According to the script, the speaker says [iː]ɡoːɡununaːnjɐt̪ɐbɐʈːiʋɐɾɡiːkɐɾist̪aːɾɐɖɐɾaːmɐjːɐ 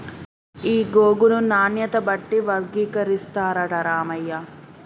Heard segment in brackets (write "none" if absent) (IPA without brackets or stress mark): iː